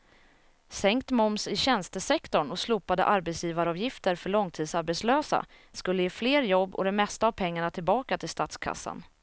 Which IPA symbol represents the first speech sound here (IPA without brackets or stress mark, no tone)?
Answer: s